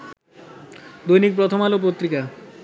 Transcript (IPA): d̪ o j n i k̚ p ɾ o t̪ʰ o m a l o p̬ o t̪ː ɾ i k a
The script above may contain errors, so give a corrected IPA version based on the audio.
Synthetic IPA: d̪ o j n i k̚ p ɾ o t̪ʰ o m a l o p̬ o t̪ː ɾ i k a